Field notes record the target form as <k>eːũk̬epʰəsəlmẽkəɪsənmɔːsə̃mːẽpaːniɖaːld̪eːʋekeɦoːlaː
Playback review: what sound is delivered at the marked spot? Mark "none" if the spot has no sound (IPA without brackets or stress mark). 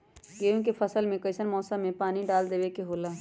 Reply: ɡ